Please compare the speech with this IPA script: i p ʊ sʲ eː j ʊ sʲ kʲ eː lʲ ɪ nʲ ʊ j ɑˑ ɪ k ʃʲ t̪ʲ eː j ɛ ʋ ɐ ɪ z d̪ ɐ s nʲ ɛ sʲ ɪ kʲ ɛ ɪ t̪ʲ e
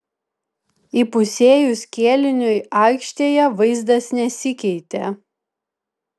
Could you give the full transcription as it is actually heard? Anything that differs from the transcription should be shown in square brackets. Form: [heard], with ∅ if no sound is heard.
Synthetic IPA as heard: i p ʊ sʲ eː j ʊ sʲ kʲ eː lʲ ɪ nʲ ʊ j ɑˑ ɪ k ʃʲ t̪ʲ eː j ɛ ʋ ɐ ɪ z d̪ ɐ s nʲ ɛ sʲ ɪ kʲ ɛ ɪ t̪ʲ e